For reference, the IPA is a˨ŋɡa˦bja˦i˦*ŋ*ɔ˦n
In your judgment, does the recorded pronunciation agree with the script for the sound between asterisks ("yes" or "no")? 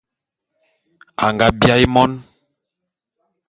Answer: no